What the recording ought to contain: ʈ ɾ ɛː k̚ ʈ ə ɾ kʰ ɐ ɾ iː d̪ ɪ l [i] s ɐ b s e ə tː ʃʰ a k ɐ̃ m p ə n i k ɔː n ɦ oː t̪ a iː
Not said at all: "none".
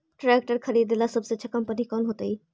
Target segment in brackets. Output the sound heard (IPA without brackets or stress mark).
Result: a